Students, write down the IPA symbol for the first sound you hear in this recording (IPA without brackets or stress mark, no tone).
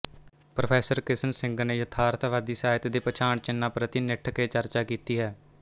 p